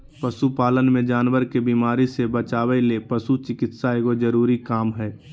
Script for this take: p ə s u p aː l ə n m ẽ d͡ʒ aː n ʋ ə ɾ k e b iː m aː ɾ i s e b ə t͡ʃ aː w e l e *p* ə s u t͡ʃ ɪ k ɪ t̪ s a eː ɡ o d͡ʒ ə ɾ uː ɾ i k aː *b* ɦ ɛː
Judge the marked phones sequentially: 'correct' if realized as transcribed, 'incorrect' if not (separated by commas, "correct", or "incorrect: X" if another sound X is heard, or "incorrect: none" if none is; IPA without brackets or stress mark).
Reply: correct, incorrect: m